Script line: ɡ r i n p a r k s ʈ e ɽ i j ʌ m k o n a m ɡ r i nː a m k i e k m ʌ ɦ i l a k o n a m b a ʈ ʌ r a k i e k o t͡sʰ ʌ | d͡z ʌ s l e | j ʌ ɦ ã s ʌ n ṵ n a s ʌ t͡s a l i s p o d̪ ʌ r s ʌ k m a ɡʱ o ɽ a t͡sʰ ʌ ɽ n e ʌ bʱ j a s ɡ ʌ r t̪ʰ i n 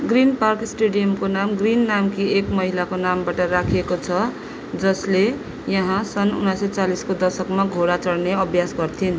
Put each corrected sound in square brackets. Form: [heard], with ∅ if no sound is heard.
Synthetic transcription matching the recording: ɡ r i n p a r k s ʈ e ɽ i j ʌ m k o n a m ɡ r i nː a m k i e k m ʌ ɦ i l a k o n a m b a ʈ ʌ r a [kʰ] i e k o t͡sʰ ʌ | d͡z ʌ s l e | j ʌ ɦ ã s ʌ n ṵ n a s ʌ t͡s a l i s [k] o d̪ ʌ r s ʌ k m a ɡʱ o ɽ a [t͡s] ʌ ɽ n e ʌ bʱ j a s ɡ ʌ r t̪ʰ i n